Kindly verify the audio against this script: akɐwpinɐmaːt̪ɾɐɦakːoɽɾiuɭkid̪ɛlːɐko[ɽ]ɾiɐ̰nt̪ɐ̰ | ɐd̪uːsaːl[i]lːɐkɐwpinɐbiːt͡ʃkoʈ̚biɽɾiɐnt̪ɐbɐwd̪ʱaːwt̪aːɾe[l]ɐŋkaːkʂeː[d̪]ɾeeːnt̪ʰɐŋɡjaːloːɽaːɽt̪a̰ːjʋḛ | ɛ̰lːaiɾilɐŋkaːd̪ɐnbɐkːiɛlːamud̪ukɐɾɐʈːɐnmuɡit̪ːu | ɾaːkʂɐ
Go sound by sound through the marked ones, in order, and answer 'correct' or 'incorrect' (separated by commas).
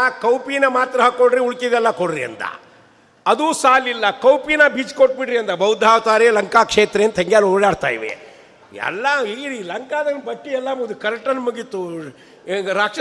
correct, correct, correct, incorrect